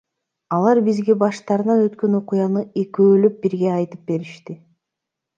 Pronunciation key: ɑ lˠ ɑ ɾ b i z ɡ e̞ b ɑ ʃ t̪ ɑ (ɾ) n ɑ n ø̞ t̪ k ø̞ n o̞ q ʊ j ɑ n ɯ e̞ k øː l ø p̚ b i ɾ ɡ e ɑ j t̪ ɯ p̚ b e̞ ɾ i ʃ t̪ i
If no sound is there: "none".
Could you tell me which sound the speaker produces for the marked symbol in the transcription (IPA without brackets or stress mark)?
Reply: ɾ